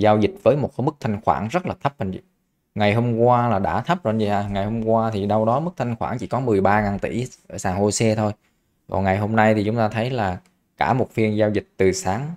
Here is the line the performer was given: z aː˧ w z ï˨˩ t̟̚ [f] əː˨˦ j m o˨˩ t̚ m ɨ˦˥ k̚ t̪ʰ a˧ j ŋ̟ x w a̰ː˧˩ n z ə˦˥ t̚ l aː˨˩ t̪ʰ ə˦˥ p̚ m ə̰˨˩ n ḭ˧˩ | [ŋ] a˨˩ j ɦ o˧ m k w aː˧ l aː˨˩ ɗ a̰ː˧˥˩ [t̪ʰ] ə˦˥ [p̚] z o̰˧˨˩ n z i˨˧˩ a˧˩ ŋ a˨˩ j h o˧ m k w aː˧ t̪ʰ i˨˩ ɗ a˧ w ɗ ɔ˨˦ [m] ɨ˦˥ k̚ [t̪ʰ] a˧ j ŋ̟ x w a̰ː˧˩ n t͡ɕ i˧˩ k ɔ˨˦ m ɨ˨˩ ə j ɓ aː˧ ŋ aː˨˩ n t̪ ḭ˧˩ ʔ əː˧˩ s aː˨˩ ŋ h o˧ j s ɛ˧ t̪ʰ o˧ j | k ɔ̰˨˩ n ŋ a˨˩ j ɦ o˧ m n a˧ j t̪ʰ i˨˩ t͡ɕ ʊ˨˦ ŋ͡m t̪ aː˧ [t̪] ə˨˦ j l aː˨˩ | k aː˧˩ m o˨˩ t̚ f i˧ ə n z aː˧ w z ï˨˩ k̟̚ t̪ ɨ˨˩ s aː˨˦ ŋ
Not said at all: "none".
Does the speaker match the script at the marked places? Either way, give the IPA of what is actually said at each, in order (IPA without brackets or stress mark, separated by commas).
v, ŋ, t̪ʰ, p̚, m, t̪ʰ, t̪ʰ